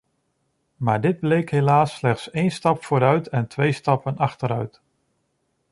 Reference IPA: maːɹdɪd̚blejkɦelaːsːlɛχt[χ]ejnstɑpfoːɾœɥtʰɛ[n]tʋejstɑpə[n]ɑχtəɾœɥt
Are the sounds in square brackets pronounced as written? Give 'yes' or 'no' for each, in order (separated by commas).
no, yes, yes